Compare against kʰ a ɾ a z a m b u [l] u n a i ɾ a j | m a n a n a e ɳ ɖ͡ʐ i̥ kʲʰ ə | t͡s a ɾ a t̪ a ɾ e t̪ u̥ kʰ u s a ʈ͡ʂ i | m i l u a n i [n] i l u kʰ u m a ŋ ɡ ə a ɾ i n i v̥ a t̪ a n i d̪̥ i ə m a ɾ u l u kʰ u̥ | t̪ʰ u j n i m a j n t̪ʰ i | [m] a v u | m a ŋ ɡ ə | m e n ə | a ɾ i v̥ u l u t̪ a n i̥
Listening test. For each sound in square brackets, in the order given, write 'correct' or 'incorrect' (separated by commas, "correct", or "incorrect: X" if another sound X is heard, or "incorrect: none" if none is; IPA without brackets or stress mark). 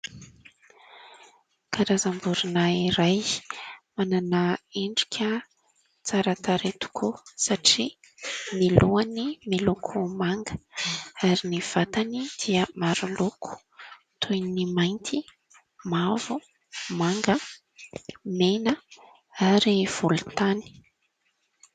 incorrect: ɾ, incorrect: m, correct